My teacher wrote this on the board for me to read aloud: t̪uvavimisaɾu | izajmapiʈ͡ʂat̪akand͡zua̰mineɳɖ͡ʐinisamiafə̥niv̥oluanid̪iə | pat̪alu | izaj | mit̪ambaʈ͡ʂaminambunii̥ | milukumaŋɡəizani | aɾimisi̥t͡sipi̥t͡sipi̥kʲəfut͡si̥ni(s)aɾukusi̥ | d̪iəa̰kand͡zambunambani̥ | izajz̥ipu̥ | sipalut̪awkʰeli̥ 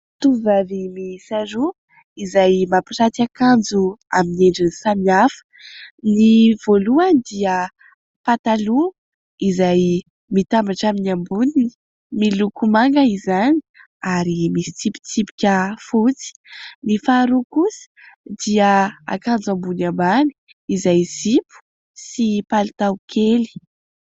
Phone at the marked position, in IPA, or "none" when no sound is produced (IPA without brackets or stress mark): f